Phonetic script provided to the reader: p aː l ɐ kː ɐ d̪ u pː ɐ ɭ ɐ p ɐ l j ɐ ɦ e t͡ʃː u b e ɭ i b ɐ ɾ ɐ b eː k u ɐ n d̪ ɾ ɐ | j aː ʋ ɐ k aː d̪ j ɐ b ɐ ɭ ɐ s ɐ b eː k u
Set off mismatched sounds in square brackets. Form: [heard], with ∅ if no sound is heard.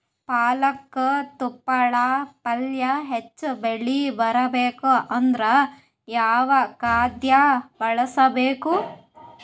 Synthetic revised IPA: p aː l ɐ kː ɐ [t̪] u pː ɐ ɭ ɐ p ɐ l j ɐ ɦ e t͡ʃː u b e ɭ i b ɐ ɾ ɐ b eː k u ɐ n d̪ ɾ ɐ | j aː ʋ ɐ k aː d̪ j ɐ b ɐ ɭ ɐ s ɐ b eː k u